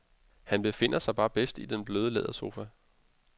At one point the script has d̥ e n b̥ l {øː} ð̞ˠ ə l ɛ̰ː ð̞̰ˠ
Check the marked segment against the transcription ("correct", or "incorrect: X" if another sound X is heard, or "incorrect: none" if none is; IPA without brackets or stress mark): correct